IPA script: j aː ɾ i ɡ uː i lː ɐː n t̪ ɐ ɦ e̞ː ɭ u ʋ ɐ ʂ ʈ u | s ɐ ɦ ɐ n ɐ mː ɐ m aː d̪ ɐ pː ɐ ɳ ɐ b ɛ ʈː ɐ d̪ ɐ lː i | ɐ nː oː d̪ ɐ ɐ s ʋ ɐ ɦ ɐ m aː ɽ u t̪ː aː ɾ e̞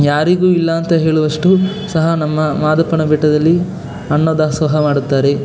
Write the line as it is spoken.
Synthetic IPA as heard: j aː ɾ i ɡ uː i lː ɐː n t̪ ɐ ɦ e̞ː ɭ u ʋ ɐ ʂ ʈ u | s ɐ ɦ ɐ n ɐ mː ɐ m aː d̪ ɐ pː ɐ ɳ ɐ b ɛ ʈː ɐ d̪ ɐ lː i | ɐ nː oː d̪ ɐ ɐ s ʋ ɐ ɦ ɐ m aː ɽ u t̪ː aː ɾ e̞

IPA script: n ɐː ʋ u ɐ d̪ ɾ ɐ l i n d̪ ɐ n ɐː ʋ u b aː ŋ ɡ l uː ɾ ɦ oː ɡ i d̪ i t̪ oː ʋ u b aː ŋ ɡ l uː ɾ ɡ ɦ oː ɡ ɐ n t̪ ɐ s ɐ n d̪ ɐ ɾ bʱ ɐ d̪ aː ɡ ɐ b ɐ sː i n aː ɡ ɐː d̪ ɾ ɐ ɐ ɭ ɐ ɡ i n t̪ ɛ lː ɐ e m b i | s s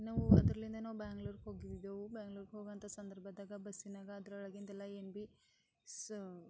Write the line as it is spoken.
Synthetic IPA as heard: n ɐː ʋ u ɐ d̪ ɾ ɐ l i n d̪ ɐ n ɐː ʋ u b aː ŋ ɡ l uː ɾ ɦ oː ɡ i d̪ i d̪ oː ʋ u b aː ŋ ɡ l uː ɾ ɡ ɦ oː ɡ ɐ n t̪ ɐ s ɐ n d̪ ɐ ɾ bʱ ɐ d̪ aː ɡ ɐ b ɐ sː i n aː ɡ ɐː d̪ ɾ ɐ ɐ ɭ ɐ ɡ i n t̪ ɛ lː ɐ e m b i | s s

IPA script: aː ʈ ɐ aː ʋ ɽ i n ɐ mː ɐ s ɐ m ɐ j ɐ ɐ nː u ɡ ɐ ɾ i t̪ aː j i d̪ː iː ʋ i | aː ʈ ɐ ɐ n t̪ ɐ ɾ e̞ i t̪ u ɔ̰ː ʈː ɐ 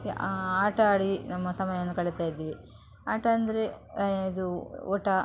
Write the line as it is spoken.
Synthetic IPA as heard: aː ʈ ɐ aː ɽ i n ɐ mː ɐ s ɐ m ɐ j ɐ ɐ nː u k ɐ ɭ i t̪ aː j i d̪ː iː ʋ i | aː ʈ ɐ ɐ n d̪ ɐ ɾ e̞ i d̪ u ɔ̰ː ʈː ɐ

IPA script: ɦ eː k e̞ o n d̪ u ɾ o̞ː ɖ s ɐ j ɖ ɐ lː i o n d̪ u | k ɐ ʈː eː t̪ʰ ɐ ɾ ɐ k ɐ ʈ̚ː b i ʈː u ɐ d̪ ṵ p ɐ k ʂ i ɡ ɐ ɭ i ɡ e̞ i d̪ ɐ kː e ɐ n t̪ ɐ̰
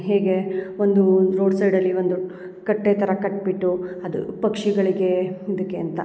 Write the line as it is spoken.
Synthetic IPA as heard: ɦ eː ɡ e̞ o n d̪ u ɾ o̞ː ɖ s ɐ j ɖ ɐ lː i o n d̪ u | k ɐ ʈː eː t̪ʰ ɐ ɾ ɐ k ɐ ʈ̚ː b i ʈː u ɐ d̪ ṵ p ɐ k ʂ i ɡ ɐ ɭ i ɡ e̞ i d̪ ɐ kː e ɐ n t̪ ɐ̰

